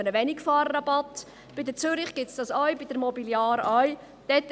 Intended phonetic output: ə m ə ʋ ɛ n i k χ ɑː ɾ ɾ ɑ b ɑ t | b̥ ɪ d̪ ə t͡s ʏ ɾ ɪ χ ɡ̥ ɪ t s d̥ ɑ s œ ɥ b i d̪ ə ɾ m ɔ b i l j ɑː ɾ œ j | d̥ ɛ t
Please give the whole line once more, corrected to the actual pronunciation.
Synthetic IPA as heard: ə n ə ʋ ɛ n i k f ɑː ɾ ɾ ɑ b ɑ t | b̥ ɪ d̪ ə t͡s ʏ ɾ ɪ χ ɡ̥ ɪ t s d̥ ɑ s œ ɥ b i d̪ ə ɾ m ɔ b i l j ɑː ɾ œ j | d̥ ɛ t